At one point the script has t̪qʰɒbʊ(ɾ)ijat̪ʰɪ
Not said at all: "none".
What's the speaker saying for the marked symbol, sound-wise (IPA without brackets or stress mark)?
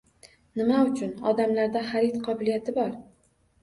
l